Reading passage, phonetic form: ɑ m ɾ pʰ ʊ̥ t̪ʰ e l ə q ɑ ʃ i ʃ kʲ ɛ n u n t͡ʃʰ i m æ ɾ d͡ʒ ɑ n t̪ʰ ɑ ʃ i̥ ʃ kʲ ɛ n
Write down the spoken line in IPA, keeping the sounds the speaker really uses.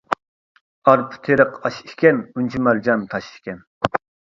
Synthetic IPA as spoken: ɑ ɾ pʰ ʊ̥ t̪ʰ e ɾ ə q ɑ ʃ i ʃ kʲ ɛ n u n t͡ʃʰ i m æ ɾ d͡ʒ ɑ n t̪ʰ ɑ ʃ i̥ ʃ kʲ ɛ n